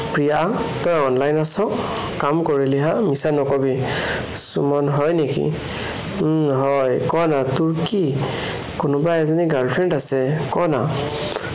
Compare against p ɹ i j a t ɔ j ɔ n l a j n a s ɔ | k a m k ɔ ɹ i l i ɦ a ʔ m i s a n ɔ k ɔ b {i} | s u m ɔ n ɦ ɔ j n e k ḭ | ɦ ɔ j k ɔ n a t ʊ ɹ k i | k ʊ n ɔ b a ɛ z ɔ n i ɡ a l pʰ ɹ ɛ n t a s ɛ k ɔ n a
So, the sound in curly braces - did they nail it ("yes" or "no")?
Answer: yes